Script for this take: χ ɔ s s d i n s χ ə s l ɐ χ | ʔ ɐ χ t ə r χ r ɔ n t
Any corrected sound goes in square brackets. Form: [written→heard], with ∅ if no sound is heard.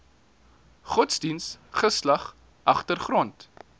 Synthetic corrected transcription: χ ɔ [s→t] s d i n s χ ə s l ɐ χ | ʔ ɐ χ t ə r χ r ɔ n t